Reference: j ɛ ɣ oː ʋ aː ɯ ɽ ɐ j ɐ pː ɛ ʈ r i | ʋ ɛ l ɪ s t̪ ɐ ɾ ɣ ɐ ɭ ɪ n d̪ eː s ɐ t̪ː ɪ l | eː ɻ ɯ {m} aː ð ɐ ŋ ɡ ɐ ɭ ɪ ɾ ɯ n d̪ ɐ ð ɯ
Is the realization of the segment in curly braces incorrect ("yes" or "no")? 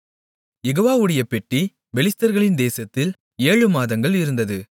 no